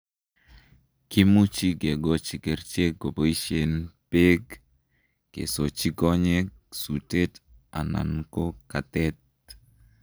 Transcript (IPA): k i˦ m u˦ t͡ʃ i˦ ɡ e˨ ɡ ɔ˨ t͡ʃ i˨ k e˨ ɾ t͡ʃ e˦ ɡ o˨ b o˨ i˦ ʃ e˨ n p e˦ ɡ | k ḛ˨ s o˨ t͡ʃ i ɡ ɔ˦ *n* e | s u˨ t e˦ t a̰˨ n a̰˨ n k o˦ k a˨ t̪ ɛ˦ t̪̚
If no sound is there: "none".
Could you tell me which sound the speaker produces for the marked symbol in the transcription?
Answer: ɲ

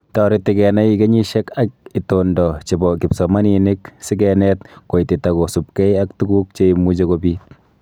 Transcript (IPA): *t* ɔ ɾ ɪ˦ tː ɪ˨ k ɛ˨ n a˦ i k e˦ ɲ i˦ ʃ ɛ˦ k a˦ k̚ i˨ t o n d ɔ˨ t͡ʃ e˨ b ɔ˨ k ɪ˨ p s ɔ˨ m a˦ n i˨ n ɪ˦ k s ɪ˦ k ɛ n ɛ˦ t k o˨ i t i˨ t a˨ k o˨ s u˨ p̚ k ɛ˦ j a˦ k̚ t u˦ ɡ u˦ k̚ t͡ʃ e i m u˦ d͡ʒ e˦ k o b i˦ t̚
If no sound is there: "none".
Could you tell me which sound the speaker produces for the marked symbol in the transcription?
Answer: t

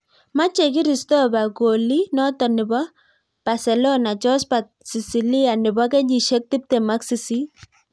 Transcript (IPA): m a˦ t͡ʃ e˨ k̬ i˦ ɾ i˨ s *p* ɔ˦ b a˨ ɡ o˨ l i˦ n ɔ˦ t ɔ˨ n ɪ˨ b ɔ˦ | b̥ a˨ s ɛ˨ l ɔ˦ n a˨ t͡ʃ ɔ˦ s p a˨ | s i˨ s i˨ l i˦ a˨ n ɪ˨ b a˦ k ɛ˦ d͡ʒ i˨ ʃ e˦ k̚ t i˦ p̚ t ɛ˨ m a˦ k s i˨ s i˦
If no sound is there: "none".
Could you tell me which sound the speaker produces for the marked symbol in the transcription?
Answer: t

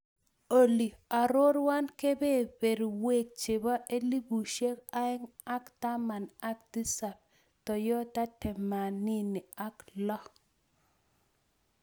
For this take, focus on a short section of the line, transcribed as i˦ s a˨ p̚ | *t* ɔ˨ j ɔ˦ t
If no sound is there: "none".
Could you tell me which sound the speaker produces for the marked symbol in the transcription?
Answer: t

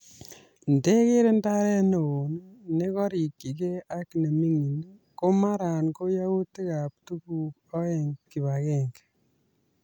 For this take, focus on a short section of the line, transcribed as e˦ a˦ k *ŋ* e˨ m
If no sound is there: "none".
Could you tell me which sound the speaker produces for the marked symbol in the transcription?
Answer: n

